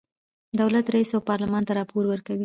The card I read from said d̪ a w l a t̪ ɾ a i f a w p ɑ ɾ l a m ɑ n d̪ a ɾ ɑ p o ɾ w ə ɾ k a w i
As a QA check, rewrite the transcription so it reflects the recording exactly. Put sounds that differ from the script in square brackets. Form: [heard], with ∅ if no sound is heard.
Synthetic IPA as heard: d̪ a w l a t̪ ɾ a i [s] a w p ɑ ɾ l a m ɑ n [t̪] a ɾ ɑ p o ɾ w ə ɾ k a w i